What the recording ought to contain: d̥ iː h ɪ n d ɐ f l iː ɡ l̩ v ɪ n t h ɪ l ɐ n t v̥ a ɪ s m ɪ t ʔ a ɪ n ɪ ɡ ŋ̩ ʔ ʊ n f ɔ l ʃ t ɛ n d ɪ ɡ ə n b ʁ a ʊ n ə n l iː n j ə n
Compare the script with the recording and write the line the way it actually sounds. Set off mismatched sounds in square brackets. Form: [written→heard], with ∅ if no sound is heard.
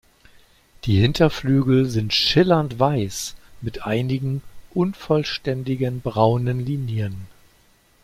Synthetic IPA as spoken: d̥ iː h ɪ n [d→t] ɐ f l [iː→yː] ɡ l̩ [v→z] ɪ n t [h→ʃ] ɪ l ɐ n t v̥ a ɪ s m ɪ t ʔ a ɪ n ɪ ɡ ŋ̩ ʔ ʊ n f ɔ l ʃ t ɛ n d ɪ ɡ ə n b ʁ a ʊ n ə n l iː n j ə n